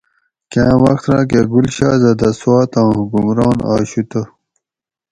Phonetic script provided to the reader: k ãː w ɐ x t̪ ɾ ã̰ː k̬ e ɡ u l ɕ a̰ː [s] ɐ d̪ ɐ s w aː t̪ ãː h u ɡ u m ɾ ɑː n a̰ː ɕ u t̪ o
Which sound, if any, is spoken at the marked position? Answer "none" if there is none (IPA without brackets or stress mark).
z